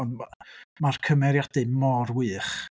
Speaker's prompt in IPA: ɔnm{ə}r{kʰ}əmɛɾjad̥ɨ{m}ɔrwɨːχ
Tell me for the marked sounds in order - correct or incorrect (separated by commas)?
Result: incorrect, correct, correct